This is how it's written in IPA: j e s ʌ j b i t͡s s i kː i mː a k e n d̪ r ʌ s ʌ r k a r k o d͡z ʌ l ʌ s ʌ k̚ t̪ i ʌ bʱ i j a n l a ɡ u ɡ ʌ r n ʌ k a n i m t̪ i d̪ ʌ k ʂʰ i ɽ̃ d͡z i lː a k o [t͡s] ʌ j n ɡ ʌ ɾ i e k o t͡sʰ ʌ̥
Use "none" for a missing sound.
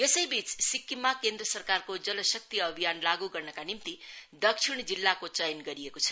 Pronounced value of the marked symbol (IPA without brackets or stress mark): t͡s